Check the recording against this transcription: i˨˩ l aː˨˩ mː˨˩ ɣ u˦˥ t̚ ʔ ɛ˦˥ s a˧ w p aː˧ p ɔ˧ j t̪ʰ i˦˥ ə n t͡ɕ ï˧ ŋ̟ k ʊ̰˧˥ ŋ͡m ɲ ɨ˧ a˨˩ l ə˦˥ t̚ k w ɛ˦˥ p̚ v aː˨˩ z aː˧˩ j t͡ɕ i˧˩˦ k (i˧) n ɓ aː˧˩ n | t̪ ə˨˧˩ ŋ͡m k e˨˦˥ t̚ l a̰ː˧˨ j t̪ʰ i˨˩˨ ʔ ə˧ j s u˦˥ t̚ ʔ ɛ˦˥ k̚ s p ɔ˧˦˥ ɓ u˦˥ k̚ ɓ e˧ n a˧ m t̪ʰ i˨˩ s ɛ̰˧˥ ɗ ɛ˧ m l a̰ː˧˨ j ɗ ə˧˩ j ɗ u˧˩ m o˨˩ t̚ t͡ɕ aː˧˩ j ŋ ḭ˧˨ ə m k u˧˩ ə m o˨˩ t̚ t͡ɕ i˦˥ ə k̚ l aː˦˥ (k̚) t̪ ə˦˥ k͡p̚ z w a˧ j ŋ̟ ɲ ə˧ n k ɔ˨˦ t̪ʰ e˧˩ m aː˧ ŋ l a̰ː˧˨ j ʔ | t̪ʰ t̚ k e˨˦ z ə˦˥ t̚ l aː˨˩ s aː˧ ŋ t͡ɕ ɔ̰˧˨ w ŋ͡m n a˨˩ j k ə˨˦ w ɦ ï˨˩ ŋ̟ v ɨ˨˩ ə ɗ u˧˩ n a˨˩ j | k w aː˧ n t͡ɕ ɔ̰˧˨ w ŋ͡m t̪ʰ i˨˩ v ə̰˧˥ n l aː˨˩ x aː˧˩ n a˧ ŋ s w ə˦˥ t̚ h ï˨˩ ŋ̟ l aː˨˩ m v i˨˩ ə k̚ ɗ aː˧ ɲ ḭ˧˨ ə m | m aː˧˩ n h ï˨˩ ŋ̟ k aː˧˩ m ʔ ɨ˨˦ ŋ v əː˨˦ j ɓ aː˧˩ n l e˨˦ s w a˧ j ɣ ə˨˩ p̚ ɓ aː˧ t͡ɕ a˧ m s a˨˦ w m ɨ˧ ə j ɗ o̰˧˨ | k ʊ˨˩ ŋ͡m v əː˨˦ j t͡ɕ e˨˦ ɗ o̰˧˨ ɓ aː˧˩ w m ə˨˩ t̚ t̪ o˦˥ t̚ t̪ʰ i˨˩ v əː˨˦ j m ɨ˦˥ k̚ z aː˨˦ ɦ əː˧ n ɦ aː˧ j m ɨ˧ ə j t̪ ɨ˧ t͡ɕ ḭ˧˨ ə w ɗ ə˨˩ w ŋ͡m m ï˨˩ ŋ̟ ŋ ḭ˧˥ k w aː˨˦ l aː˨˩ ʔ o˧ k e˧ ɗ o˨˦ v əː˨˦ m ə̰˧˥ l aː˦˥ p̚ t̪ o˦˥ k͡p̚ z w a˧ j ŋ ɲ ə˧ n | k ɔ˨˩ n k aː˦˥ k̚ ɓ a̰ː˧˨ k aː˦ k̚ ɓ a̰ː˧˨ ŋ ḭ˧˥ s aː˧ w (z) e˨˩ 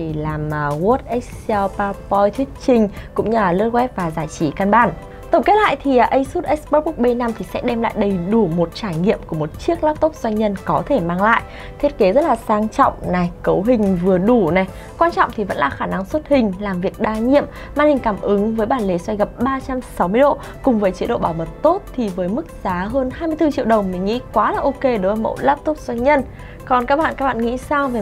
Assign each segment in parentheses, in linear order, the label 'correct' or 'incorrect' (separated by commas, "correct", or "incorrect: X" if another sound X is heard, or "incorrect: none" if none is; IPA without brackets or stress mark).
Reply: incorrect: a˧, incorrect: p̚, incorrect: v